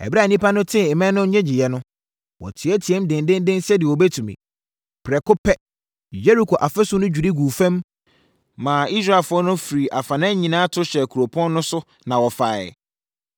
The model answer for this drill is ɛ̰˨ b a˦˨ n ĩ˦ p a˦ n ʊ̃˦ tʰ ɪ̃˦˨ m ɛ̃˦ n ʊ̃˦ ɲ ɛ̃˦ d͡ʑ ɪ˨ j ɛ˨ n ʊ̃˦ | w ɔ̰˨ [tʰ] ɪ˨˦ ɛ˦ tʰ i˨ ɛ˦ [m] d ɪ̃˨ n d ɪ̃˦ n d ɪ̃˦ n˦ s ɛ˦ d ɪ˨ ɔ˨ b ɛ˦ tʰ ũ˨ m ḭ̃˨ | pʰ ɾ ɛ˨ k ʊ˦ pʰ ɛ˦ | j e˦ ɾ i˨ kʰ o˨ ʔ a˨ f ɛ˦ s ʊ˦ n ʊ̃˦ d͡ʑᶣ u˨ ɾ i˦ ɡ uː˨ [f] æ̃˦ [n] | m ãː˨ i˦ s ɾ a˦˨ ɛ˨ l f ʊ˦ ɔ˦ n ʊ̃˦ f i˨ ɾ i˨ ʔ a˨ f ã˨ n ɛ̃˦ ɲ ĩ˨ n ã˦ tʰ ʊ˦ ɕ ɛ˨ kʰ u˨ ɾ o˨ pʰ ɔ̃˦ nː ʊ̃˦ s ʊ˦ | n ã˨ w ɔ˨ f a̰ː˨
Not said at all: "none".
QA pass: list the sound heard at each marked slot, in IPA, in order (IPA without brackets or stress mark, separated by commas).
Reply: tʰ, m, f, m